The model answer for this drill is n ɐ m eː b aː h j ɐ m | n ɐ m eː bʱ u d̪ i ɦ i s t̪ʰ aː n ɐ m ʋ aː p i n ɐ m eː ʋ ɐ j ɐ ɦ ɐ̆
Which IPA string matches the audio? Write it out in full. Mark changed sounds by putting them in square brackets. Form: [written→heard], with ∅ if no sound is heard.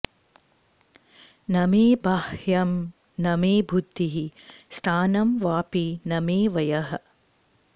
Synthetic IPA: n ɐ m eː b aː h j ɐ m | n ɐ m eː bʱ u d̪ i ɦ i s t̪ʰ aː n ɐ m ʋ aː p i n ɐ m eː ʋ ɐ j ɐ ɦ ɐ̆